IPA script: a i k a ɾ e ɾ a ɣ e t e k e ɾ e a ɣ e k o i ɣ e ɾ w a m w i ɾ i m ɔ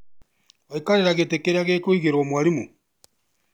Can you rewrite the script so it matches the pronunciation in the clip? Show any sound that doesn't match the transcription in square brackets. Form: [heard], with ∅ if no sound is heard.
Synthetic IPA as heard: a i k a ɾ e ɾ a ɣ e t e k e ɾ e a ɣ e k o i ɣ e ɾ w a m w [a] ɾ i m [u]